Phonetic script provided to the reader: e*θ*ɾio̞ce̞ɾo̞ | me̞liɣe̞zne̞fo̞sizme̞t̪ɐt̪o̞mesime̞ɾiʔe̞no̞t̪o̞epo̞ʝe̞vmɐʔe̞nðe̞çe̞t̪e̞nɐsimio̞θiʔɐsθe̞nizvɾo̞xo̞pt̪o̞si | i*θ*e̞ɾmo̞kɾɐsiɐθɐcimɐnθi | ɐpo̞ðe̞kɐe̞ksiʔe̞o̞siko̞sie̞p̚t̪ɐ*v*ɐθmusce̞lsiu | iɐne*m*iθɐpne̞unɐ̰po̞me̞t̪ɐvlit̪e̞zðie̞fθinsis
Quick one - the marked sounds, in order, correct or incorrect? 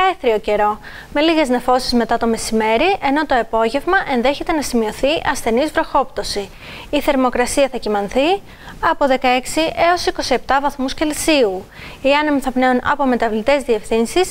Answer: correct, correct, correct, correct

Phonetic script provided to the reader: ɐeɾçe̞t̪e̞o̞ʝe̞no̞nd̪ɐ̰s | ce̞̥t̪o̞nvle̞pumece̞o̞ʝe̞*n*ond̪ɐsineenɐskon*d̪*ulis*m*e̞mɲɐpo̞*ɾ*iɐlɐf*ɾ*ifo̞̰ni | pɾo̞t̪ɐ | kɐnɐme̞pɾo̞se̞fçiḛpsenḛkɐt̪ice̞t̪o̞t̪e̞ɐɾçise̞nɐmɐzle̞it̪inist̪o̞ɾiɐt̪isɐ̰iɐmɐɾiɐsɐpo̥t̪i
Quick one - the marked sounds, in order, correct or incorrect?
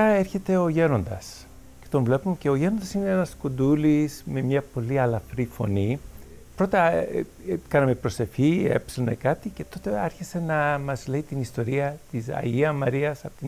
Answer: correct, correct, correct, incorrect: l, correct

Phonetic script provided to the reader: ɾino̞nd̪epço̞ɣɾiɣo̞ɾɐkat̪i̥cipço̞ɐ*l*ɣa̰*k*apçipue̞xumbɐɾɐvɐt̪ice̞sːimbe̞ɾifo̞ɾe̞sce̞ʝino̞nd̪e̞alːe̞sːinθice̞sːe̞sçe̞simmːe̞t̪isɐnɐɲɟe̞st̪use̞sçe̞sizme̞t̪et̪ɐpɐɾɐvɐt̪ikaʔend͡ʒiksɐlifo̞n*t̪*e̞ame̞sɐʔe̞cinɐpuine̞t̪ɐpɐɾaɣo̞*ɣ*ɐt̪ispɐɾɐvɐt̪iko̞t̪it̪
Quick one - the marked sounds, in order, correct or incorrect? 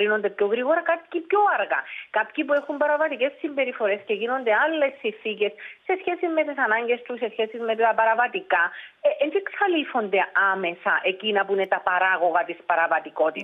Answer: incorrect: ɾ, correct, incorrect: d̪, correct

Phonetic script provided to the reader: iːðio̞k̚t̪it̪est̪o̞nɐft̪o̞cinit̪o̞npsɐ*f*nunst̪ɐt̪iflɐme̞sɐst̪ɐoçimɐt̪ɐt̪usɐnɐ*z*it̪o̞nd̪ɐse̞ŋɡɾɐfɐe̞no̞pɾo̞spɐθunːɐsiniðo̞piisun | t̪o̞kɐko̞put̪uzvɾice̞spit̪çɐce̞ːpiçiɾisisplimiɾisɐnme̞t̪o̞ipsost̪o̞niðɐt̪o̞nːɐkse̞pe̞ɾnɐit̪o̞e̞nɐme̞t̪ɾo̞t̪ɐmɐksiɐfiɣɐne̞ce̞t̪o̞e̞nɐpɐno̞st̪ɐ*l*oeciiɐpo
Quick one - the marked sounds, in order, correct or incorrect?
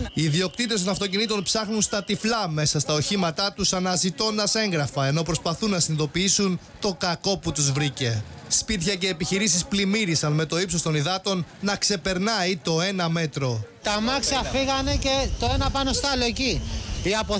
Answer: incorrect: x, correct, correct

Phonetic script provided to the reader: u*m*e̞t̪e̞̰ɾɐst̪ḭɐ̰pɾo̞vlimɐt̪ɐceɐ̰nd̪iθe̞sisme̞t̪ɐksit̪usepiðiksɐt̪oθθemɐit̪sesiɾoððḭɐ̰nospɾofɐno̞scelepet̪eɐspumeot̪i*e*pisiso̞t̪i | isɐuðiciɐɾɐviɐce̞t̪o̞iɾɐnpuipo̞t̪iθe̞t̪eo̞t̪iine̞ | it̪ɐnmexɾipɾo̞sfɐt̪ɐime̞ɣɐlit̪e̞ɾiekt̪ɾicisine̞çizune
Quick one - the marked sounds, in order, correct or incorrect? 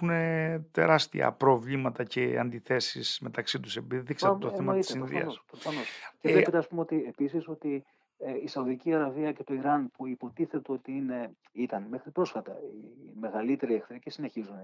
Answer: incorrect: n, correct

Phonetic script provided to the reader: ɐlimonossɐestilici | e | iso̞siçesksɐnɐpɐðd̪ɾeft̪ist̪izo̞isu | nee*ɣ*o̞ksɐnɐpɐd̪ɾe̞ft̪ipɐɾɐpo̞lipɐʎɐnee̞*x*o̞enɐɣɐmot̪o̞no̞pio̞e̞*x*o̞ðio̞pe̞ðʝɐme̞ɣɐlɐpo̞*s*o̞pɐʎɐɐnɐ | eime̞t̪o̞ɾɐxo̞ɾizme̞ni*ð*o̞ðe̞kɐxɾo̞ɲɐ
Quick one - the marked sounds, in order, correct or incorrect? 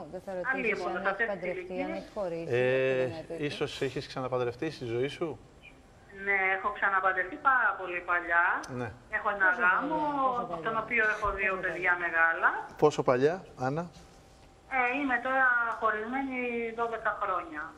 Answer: incorrect: x, correct, correct, correct, correct

